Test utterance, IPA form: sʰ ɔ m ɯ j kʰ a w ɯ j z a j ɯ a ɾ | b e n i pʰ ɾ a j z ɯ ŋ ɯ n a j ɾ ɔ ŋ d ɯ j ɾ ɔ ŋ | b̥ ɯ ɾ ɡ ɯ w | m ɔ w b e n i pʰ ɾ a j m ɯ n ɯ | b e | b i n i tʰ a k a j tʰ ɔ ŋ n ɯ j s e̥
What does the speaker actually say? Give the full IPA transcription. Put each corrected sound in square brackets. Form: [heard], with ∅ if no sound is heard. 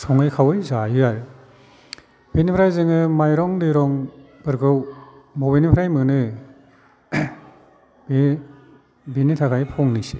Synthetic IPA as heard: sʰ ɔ [ŋ] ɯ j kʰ a w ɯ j z a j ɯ a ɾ | b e n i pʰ ɾ a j z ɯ ŋ ɯ [m] a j ɾ ɔ ŋ d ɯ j ɾ ɔ ŋ | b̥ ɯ ɾ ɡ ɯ w | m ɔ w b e n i pʰ ɾ a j m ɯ n ɯ | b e | b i n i tʰ a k a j [pʰ] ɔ ŋ n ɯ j s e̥